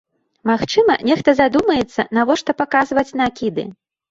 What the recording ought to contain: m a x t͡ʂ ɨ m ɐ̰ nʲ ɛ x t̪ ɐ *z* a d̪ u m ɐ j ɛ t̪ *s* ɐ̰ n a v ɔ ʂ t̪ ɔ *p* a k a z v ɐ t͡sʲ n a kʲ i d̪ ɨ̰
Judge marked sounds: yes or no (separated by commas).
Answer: yes, no, yes